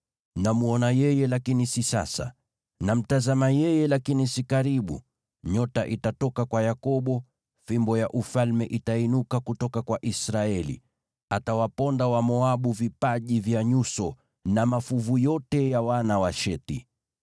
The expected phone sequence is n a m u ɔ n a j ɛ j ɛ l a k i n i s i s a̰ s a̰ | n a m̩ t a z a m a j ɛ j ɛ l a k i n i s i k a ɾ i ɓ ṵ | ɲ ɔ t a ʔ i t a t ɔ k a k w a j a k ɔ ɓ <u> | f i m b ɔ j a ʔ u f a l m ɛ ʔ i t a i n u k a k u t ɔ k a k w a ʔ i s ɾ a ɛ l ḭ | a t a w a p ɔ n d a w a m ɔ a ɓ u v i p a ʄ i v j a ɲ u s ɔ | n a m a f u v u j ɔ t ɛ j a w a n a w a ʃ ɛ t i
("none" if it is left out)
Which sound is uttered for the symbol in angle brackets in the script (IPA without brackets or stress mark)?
ɔ